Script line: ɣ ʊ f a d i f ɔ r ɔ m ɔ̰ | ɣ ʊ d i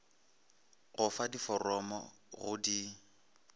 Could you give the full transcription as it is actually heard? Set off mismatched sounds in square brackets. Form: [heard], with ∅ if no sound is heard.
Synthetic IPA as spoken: ɣ ʊ f a d i f ɔ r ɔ m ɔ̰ | ɣ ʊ d i